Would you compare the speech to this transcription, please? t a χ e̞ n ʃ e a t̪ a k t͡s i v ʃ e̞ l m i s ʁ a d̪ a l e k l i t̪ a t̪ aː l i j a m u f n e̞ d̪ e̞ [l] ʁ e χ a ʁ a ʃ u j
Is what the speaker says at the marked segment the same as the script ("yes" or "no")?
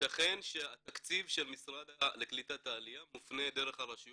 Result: no